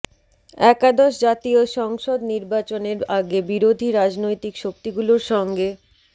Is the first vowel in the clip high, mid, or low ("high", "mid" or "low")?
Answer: mid